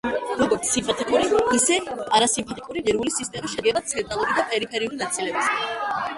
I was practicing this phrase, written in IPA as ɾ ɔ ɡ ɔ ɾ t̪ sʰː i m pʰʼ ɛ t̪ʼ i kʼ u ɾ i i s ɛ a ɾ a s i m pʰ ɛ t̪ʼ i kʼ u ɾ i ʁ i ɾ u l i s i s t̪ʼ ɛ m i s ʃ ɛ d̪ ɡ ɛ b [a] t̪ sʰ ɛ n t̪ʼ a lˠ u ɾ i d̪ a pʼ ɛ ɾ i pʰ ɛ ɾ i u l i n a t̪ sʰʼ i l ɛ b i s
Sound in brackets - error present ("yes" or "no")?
no